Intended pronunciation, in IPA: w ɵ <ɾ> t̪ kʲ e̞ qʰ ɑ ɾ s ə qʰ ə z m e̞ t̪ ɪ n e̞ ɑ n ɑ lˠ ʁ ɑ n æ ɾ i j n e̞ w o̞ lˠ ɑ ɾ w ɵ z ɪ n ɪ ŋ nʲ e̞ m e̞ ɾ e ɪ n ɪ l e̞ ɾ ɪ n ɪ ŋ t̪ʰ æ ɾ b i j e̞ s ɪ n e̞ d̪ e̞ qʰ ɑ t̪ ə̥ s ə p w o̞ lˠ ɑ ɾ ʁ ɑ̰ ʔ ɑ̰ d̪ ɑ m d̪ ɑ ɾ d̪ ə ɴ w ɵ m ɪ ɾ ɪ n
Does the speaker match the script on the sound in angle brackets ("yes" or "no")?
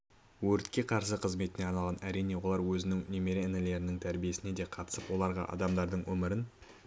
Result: yes